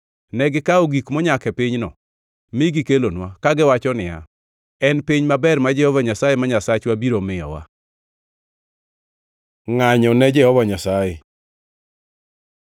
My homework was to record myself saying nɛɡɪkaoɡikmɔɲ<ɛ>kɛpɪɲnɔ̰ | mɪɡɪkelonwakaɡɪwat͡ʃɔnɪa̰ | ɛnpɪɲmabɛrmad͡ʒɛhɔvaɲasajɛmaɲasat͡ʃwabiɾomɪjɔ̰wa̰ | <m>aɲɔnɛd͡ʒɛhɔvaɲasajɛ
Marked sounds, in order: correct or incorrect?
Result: incorrect: a, incorrect: ŋ

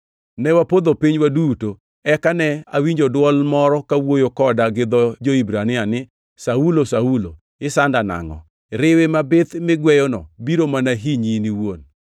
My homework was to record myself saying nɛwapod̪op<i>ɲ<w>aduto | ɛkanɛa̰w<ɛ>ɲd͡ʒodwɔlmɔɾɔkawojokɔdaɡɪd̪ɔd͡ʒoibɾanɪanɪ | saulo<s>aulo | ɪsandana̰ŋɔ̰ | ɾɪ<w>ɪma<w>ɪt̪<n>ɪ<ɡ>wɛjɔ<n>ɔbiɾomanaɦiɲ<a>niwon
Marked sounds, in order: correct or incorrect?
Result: correct, correct, incorrect: i, correct, correct, incorrect: b, incorrect: m, correct, correct, incorrect: i

